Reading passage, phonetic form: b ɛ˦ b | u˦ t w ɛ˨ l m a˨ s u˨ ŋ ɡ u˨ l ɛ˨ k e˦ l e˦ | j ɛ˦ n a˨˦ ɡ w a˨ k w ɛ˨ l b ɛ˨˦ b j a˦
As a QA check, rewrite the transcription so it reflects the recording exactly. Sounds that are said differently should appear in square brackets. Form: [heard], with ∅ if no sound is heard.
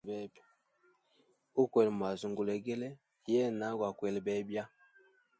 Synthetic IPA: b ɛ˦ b | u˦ [k] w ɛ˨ l m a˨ [z] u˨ ŋ ɡ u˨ l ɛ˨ [ɡ] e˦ l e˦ | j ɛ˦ n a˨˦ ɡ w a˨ k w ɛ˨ l b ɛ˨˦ b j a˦